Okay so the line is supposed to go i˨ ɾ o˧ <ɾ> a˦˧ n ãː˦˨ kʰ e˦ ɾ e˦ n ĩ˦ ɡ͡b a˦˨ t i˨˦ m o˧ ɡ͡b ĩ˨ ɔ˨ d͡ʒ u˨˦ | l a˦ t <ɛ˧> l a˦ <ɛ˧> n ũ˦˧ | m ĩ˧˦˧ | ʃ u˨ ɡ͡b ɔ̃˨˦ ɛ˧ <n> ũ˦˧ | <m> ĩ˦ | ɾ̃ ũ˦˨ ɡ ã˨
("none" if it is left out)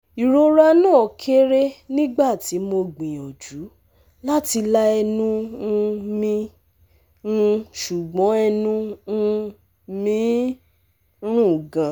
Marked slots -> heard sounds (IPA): ɾ, i˧, ɛ˧, n, m

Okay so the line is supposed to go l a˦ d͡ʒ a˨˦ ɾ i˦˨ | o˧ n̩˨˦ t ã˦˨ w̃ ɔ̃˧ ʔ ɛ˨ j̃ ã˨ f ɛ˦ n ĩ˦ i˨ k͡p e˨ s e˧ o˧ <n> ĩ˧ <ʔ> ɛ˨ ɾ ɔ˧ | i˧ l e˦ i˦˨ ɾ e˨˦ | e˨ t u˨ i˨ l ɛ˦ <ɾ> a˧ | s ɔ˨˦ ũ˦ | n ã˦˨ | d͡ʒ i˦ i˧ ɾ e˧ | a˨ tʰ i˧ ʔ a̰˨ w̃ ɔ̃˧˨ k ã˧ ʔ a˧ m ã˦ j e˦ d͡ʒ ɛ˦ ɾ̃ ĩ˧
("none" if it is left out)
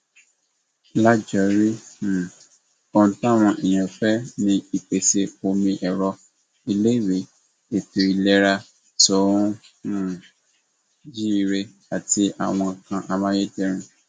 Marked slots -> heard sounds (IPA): m, ʔ, ɾ

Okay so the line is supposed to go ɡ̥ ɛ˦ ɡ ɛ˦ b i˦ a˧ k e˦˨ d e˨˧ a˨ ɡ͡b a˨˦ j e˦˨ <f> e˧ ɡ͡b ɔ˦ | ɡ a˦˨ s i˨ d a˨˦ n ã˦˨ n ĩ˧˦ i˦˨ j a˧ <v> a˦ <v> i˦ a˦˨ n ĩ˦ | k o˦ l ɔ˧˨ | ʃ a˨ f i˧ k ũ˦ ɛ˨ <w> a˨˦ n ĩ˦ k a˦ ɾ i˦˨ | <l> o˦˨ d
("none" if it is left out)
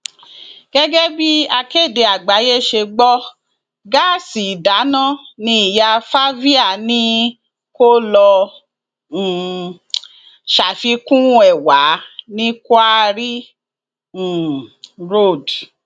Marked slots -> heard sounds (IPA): ʃ, f, v, w, ɾ

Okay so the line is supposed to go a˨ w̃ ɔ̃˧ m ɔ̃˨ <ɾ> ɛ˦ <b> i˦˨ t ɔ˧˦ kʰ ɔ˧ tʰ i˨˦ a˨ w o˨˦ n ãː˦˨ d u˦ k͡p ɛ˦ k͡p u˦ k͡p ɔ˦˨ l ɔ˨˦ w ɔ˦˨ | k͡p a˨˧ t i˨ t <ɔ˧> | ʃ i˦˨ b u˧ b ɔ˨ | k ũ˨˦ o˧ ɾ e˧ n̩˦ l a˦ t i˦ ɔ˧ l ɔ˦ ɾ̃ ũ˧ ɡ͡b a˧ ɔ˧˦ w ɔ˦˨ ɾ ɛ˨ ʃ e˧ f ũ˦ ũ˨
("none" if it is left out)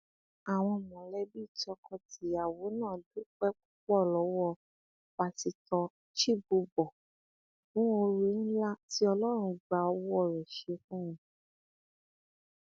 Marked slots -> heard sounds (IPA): l, b, ɔ˧

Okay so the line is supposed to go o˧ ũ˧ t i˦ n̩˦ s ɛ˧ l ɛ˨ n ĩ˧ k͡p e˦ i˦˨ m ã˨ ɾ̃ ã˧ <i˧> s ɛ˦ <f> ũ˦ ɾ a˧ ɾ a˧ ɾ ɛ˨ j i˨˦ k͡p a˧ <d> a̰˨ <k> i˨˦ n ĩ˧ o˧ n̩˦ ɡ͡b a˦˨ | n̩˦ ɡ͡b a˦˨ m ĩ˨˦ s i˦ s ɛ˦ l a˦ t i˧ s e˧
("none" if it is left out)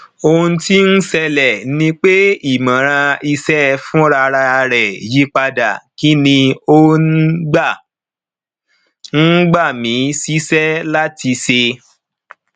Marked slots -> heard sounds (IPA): i˧, f, d, k

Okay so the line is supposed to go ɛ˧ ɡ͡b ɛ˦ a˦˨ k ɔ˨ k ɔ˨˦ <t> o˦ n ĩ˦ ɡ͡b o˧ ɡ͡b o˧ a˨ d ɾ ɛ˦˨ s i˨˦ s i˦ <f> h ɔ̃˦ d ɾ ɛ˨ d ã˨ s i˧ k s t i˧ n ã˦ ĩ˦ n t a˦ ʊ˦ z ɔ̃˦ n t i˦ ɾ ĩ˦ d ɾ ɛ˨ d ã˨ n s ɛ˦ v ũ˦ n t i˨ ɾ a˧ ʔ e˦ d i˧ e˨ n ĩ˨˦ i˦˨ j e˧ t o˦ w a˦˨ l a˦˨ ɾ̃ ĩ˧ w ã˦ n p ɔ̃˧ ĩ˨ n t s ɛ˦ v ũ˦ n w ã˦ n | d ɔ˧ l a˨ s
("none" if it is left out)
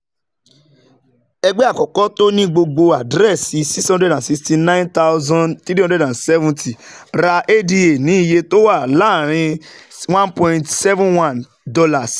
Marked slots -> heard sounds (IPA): t, s

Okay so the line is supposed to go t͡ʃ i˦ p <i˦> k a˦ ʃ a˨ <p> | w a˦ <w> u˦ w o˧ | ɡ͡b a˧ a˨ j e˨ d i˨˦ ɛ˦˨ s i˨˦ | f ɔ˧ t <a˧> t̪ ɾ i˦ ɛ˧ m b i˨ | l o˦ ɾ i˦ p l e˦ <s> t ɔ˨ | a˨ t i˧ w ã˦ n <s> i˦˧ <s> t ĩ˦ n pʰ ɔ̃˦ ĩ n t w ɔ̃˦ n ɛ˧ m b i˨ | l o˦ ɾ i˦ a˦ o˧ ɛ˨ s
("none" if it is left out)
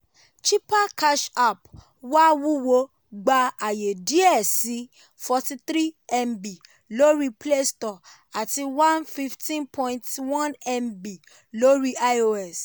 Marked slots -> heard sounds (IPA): a˦, p, w, i˧, s, f, f

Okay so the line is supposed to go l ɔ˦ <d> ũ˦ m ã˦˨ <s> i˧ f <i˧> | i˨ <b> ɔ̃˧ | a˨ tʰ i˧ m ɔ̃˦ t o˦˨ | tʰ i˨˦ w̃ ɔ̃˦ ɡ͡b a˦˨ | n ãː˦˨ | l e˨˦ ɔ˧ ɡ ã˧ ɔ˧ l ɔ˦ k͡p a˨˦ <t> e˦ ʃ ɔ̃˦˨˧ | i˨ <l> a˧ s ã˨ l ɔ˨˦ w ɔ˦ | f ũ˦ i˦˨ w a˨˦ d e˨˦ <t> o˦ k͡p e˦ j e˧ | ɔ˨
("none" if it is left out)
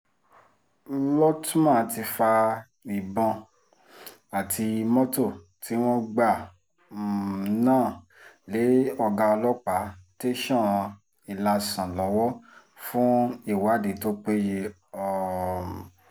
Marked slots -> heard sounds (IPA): t, t, a˧, b, t, l, t

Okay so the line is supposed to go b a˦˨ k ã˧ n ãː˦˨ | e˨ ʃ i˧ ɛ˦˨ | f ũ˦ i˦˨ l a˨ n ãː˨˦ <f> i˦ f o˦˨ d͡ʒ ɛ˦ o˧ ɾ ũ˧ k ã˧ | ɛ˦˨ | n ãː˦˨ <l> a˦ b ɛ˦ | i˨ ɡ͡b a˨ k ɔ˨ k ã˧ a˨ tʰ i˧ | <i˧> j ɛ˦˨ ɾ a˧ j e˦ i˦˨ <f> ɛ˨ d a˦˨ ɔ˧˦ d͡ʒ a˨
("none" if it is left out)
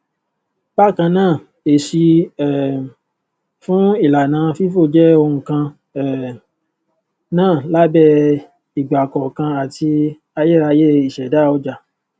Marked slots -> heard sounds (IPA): f, l, a˧, ʃ

